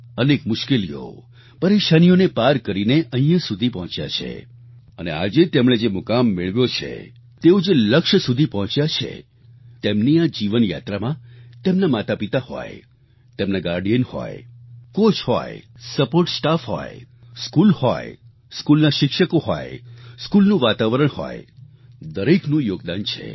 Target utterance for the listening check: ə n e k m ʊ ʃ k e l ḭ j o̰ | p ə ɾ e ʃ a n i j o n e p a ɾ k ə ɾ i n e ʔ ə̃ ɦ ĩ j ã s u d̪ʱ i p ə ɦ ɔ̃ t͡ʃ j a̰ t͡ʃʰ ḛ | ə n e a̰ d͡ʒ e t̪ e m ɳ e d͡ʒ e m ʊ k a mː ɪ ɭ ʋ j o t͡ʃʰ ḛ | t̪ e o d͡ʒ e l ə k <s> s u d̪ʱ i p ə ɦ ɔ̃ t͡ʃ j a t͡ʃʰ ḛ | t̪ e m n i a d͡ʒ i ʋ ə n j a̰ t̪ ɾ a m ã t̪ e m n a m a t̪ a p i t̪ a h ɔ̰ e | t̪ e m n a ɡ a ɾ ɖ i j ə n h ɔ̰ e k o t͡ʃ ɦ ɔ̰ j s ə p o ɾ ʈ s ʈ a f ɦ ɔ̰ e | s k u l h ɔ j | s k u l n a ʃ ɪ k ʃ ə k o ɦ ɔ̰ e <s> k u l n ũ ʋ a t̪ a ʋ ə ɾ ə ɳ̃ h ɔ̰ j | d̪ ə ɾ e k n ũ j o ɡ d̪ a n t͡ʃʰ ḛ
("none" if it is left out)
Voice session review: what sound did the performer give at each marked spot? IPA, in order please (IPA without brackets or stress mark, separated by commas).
ʃ, s